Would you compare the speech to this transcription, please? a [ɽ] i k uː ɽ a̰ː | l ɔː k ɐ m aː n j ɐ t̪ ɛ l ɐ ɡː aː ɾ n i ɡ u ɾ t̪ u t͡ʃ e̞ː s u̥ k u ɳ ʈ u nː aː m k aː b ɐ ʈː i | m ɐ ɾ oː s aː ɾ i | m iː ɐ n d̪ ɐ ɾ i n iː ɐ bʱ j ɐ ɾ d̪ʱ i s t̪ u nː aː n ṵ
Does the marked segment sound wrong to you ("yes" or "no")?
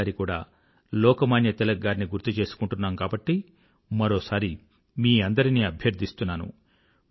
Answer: yes